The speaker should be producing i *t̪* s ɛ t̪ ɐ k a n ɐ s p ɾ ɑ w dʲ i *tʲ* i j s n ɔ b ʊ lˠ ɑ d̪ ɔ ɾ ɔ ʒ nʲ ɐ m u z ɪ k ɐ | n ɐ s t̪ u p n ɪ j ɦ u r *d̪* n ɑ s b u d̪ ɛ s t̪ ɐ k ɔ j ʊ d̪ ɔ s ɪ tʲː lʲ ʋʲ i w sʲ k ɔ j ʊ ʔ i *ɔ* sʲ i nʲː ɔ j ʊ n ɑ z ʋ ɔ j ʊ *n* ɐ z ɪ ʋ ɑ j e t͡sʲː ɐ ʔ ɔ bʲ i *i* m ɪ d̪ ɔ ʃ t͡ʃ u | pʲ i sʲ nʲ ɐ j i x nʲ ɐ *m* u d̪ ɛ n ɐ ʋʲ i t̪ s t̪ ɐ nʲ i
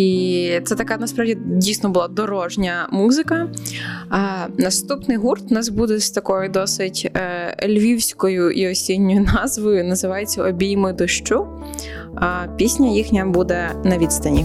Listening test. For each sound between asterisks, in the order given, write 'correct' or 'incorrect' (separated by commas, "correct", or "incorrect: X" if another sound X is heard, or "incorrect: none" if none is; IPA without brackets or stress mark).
correct, incorrect: dʲ, incorrect: t̪, correct, correct, incorrect: j, incorrect: b